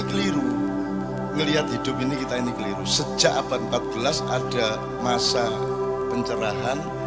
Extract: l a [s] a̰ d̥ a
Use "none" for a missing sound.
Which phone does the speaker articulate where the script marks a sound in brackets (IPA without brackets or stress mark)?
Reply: s